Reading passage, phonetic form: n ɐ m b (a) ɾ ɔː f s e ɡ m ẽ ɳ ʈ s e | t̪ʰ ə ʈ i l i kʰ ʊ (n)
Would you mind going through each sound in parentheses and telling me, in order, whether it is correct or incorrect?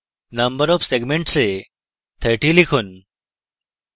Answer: incorrect: ə, correct

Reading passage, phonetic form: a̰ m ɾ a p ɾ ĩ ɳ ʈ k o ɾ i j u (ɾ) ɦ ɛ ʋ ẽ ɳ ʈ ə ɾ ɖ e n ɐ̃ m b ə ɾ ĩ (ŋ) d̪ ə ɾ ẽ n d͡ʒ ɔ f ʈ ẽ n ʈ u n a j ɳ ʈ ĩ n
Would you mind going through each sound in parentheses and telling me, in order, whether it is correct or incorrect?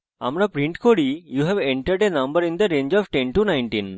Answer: incorrect: none, incorrect: n

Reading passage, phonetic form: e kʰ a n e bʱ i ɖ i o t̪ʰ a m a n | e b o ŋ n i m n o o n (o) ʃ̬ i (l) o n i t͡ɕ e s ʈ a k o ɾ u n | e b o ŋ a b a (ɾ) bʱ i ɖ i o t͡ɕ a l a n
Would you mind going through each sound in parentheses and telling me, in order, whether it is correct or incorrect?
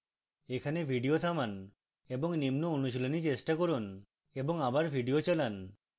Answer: incorrect: u, correct, correct

